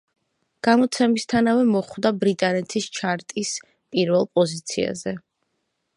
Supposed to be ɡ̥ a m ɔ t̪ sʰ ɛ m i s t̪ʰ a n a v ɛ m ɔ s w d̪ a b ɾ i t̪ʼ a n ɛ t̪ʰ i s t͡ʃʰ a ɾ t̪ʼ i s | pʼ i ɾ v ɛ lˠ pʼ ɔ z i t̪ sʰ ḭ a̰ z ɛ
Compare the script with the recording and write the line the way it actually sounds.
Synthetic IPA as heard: ɡ̥ a m ɔ t̪ sʰ ɛ m i s t̪ʰ a n a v ɛ m ɔ χ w d̪ a b ɾ i t̪ʼ a n ɛ t̪ʰ i s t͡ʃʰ a ɾ t̪ʼ i s | pʼ i ɾ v ɛ lˠ pʼ ɔ z i t̪ sʰ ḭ a̰ z ɛ